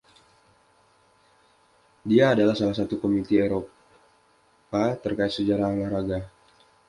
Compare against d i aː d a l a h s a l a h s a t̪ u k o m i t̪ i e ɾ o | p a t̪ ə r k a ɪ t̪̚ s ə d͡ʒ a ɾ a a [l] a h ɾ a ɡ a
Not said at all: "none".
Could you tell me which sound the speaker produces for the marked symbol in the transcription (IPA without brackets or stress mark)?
l